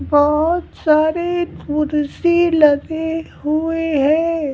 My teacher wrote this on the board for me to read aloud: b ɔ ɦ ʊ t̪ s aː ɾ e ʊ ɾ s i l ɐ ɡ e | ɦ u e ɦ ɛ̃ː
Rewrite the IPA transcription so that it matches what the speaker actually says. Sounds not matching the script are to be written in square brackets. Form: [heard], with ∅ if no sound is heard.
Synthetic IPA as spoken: b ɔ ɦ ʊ t̪ s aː ɾ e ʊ ɾ s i l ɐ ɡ e | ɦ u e ɦ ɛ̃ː